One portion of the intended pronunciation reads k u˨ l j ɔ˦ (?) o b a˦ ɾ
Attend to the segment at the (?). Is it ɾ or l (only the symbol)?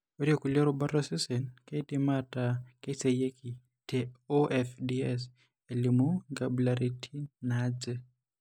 ɾ